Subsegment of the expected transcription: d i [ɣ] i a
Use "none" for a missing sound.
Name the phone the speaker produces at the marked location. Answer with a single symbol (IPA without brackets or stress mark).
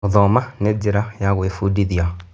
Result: ð